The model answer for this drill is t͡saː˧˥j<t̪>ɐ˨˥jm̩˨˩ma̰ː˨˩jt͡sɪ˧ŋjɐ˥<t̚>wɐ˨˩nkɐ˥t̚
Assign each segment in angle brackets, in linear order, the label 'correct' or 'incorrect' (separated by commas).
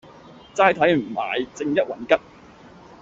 incorrect, correct